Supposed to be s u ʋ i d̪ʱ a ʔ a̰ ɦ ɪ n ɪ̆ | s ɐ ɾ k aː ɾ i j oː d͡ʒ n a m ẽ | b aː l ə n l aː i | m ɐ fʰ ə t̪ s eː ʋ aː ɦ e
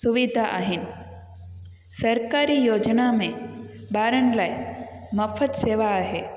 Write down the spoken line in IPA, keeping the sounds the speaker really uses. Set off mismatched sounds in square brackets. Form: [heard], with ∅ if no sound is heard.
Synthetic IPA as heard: s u ʋ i d̪ʱ a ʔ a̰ ɦ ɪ n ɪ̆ | s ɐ ɾ k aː ɾ i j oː d͡ʒ n a m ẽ | b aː [ɾ] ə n l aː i | m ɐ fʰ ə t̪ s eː ʋ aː ɦ e